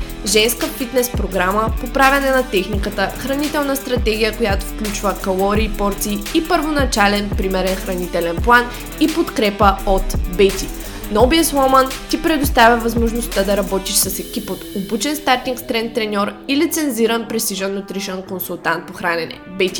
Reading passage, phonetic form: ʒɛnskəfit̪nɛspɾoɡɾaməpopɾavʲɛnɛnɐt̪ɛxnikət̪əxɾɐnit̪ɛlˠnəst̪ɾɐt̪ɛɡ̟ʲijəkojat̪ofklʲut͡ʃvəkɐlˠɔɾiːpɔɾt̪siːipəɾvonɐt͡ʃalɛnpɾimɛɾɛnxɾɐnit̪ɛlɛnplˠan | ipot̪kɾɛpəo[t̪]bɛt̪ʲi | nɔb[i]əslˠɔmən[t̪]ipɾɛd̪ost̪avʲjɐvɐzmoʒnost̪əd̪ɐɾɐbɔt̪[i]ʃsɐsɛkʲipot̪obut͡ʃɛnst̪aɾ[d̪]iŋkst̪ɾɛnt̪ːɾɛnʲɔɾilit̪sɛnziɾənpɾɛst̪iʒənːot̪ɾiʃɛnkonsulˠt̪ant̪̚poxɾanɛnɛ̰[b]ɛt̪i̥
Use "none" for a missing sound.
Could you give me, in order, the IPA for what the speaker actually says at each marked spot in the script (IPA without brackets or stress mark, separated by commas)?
t̪, i, t̪, i, t̪, b